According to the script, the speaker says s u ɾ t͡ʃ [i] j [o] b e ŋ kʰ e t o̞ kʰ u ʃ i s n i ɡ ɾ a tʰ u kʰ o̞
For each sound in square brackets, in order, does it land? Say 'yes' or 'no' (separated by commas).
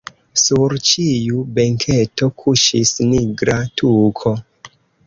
yes, no